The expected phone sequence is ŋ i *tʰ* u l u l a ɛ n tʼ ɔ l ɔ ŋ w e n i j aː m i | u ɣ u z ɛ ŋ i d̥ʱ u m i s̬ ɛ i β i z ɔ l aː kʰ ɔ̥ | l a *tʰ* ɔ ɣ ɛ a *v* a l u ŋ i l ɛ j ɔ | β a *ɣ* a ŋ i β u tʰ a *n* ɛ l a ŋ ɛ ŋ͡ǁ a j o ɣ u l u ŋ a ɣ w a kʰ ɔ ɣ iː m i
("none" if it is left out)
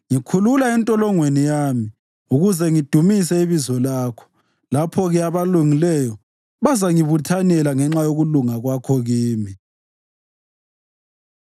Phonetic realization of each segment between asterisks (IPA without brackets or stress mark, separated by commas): kʰ, pʰ, β, z, n